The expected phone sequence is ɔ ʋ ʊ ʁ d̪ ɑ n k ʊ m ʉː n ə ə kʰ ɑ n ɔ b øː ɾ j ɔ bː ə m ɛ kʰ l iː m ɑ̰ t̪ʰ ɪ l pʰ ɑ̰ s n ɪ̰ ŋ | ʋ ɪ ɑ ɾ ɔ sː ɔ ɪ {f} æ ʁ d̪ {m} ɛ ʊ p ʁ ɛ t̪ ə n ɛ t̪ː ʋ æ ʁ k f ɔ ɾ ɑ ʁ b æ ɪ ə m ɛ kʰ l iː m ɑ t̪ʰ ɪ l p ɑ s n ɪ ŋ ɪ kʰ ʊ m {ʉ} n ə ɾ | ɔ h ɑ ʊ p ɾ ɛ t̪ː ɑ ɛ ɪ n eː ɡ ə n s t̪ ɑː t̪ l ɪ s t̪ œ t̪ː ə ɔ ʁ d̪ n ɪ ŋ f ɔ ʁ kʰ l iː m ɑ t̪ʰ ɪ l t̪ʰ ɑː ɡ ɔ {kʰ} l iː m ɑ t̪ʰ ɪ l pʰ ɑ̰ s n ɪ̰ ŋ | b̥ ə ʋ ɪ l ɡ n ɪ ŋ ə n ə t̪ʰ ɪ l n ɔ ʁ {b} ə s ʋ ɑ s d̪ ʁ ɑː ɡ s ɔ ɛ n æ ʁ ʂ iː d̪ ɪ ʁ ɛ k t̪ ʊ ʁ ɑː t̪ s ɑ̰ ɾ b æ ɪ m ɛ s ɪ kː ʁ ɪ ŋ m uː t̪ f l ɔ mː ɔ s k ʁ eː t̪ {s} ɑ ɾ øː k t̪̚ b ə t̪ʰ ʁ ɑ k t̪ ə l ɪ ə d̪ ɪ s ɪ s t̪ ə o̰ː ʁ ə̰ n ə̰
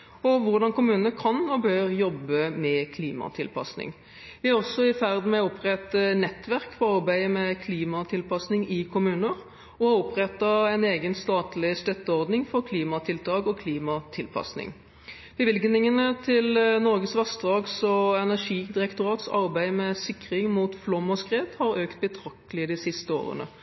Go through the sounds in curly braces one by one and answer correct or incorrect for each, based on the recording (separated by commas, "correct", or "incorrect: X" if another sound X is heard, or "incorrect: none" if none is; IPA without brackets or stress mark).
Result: correct, correct, incorrect: ʉː, correct, incorrect: ɡ, incorrect: h